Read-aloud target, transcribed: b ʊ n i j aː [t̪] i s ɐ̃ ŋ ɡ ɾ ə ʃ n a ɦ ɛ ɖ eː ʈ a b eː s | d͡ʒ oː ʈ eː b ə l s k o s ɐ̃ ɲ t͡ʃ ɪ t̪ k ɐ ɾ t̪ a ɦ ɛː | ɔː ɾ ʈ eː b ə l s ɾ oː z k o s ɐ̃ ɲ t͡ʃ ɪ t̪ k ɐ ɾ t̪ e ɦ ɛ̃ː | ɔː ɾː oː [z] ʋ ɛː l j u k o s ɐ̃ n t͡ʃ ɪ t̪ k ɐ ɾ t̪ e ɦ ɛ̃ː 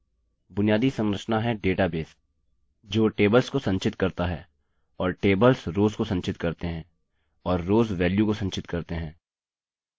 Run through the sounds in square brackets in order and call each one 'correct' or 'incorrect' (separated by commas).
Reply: incorrect, correct